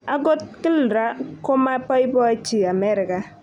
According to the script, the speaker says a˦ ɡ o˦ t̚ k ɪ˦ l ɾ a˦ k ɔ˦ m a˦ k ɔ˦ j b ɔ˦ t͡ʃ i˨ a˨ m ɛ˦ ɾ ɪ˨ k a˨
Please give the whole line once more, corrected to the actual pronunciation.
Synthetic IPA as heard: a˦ ɡ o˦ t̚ k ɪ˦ l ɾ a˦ k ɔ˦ m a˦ p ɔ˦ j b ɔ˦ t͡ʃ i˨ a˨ m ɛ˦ ɾ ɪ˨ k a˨